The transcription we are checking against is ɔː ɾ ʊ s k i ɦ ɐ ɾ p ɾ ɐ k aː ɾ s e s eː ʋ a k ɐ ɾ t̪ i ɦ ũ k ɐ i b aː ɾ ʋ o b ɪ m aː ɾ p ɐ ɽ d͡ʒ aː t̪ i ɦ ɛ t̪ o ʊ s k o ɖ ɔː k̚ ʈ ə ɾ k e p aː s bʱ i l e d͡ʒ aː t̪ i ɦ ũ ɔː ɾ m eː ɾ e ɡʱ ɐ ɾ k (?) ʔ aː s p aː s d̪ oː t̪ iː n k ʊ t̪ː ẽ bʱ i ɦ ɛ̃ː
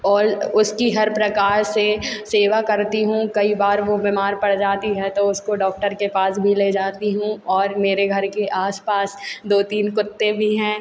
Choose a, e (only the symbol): e